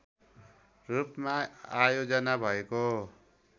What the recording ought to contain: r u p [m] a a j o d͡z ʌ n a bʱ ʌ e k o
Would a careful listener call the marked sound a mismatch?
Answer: no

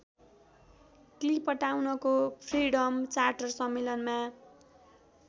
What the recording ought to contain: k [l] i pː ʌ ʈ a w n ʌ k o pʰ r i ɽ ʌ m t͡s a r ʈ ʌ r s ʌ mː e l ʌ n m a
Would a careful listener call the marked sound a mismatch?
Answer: no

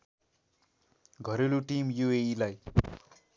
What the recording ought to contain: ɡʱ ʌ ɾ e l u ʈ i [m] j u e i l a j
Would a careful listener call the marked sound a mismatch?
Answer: no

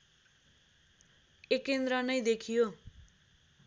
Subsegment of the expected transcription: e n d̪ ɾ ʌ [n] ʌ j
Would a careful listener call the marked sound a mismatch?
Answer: no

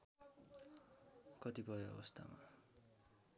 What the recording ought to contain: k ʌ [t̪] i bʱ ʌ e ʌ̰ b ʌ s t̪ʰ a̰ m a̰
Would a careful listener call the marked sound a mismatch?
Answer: no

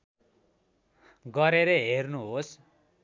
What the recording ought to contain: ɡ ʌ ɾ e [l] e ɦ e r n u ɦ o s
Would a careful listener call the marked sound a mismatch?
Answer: yes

